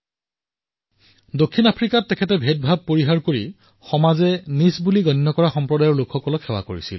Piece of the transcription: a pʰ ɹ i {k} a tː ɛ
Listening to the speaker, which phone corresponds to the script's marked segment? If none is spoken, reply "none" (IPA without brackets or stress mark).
k